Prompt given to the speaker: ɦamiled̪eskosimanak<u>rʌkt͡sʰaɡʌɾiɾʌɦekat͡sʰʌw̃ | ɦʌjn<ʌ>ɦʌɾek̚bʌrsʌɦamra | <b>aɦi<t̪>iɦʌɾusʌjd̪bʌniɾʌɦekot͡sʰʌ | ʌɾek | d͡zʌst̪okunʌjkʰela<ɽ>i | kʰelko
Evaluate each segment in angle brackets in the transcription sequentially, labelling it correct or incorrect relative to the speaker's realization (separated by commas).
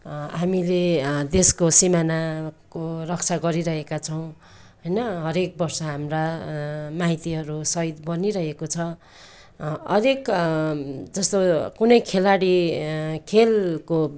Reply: incorrect, correct, incorrect, correct, correct